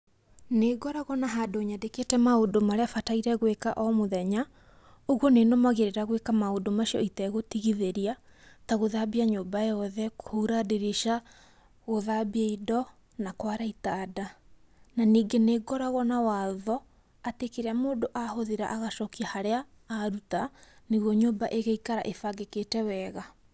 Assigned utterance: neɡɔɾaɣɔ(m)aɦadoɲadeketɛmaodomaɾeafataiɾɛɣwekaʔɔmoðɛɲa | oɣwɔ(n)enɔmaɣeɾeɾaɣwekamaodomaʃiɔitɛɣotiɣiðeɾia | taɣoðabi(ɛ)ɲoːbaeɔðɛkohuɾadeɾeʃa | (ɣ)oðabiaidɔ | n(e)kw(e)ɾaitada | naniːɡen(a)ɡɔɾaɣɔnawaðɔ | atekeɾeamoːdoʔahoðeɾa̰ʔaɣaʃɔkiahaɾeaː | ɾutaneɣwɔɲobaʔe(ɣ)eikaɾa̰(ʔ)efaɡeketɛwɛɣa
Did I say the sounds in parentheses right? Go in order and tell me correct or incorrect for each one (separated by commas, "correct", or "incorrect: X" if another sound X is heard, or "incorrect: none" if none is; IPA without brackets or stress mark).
incorrect: n, correct, incorrect: a, correct, incorrect: a, incorrect: a, incorrect: e, correct, correct